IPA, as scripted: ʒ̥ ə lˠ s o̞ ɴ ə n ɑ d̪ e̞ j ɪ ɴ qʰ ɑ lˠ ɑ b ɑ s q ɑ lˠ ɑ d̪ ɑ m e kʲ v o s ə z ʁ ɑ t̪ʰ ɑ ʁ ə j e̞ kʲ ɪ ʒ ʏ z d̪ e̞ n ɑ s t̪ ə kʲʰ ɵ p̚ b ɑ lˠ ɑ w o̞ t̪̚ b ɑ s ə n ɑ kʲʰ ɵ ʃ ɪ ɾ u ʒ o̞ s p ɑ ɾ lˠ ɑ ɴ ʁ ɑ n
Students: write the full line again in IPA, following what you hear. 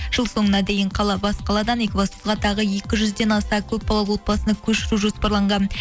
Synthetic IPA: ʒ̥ ə lˠ s o̞ ɴ ə n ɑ d̪ e̞ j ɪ ɴ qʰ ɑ lˠ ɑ b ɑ s q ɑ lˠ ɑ d̪ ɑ n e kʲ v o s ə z ʁ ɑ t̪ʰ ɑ ʁ ə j e̞ kʲ ɪ ʒ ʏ z d̪ e̞ n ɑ s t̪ ɑ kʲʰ ɵ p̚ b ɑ lˠ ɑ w o̞ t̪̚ b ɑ s ə n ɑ kʲʰ ɵ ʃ ɪ ɾ u ʒ o̞ s p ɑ ɾ lˠ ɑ ɴ ʁ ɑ n